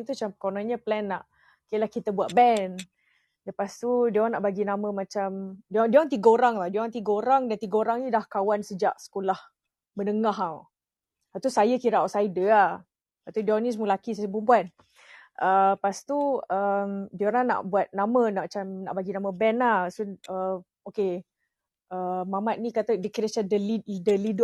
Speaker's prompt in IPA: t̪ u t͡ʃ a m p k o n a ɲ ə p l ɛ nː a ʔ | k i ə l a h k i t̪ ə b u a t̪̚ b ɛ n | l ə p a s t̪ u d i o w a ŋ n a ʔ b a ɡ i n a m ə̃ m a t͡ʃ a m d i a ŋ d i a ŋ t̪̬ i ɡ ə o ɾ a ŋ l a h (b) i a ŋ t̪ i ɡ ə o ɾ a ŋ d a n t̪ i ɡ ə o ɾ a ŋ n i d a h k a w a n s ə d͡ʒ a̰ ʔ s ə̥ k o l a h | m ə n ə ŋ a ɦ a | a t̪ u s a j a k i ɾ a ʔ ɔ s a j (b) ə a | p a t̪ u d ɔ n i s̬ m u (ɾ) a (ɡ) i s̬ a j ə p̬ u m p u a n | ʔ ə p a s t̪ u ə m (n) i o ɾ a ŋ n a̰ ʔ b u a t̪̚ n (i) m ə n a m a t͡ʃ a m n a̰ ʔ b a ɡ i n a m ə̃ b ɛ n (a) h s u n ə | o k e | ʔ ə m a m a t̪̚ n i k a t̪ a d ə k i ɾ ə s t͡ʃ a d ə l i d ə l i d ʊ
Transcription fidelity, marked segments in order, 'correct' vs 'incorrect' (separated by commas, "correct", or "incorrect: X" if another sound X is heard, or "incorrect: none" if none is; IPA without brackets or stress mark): incorrect: d, incorrect: d, incorrect: l, incorrect: k, incorrect: d, incorrect: a, correct